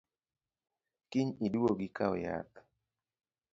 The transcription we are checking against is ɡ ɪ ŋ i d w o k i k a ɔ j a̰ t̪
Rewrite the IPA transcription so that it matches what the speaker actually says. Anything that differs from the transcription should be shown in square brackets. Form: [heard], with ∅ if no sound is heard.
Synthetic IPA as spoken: [k] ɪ [ɲ] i d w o [ɡ] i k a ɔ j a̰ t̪

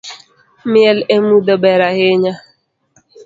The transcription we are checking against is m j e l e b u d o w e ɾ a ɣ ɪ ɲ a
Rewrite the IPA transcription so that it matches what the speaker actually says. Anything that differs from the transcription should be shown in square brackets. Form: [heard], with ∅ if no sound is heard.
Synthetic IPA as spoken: m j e l e [m] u d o [b] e ɾ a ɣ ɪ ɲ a

